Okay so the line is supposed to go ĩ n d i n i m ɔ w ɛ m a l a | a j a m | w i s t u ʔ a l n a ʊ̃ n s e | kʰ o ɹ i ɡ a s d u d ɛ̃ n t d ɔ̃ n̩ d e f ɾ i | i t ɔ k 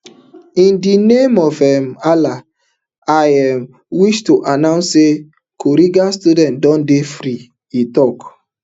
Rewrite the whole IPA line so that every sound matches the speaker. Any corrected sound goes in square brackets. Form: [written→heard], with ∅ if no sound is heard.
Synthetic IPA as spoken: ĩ n d i n [i→e] m ɔ [w→v] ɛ m a l a | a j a m | w i [s→ʃ] t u ʔ a [l→∅] n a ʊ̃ n s e | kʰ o [ɹ→ɾ] i ɡ a s [d→t] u d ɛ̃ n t d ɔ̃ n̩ d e f ɾ i | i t ɔ k